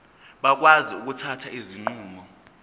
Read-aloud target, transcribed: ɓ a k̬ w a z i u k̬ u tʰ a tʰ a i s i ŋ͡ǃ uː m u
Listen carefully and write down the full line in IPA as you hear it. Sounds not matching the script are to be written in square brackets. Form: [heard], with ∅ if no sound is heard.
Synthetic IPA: ɓ a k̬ w a z i u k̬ u tʰ a tʰ a i [z] i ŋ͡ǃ uː m [ɔ]